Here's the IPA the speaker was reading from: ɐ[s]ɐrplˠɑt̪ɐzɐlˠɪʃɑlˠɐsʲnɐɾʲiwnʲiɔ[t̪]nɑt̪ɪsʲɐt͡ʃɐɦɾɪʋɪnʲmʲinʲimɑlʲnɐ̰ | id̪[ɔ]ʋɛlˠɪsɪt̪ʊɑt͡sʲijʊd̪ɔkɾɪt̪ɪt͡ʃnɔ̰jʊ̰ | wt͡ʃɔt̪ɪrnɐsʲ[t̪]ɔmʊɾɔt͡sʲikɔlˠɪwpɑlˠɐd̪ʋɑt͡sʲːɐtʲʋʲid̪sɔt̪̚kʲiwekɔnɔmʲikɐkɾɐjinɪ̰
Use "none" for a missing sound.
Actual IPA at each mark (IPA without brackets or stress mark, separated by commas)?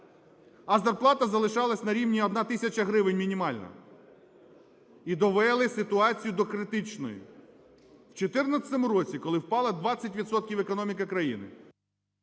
z, d̪, ɔ, t̪